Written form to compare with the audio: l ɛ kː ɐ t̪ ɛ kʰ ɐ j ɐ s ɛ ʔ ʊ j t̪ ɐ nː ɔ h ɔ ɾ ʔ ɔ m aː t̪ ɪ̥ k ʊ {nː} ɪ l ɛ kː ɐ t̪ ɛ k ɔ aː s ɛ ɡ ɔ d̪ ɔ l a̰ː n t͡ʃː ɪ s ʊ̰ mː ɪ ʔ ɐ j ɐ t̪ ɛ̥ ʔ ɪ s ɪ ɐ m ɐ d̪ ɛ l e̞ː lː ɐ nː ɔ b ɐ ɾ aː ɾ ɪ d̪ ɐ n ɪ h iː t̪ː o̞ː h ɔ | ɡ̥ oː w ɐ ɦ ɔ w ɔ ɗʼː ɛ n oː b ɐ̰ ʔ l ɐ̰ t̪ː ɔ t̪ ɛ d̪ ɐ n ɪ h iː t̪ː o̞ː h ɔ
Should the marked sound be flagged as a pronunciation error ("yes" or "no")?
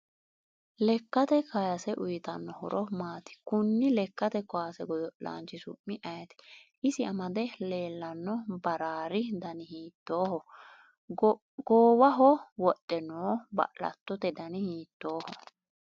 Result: no